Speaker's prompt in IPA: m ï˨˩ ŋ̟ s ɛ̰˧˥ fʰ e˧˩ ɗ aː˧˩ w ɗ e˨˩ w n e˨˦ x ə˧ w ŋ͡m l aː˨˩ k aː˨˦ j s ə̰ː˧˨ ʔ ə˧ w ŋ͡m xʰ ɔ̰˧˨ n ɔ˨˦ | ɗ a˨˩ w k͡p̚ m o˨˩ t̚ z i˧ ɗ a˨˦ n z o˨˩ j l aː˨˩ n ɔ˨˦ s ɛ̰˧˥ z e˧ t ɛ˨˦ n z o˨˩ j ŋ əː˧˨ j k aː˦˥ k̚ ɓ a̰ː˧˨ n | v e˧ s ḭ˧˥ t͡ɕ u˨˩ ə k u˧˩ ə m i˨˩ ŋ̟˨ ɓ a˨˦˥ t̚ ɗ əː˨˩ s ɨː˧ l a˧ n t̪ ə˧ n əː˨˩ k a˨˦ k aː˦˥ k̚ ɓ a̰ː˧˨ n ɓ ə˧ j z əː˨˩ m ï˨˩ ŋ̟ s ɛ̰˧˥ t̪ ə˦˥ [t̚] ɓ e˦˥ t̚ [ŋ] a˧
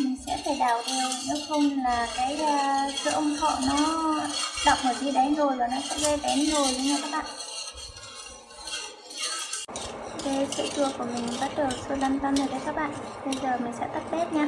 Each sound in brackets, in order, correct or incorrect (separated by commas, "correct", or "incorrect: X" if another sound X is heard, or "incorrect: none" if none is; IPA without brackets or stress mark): correct, incorrect: ɲ